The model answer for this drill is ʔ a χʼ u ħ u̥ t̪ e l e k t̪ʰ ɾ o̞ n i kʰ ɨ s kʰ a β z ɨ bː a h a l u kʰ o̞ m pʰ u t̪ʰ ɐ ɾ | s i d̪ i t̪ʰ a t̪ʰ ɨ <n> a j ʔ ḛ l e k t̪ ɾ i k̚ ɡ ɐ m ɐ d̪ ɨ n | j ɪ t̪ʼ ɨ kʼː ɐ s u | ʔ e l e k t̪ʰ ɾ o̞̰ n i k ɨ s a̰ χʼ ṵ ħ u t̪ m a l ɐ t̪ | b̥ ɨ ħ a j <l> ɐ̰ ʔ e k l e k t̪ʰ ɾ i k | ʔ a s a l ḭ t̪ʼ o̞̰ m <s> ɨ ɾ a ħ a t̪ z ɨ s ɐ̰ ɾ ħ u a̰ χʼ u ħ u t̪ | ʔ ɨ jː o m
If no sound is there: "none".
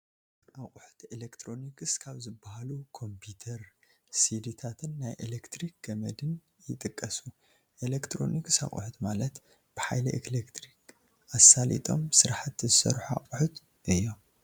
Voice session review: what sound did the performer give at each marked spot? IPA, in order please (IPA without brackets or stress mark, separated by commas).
nː, l, s